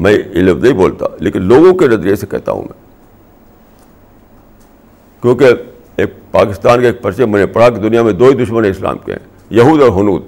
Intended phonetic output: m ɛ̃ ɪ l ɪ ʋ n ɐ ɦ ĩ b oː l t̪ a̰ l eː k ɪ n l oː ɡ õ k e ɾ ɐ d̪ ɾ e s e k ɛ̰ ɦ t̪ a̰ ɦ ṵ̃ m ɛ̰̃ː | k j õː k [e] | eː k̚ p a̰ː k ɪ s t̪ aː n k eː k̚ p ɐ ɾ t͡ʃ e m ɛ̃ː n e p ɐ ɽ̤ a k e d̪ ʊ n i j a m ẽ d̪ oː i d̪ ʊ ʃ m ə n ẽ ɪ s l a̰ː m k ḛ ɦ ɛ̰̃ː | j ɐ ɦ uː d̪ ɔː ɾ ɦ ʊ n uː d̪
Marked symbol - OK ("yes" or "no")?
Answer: yes